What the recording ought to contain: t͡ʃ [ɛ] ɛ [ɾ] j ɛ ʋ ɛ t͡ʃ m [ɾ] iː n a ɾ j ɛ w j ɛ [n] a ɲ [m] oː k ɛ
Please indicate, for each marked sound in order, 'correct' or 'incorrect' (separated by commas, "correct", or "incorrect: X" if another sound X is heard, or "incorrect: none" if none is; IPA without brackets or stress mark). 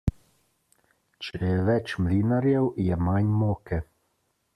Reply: correct, incorrect: none, incorrect: l, incorrect: m, correct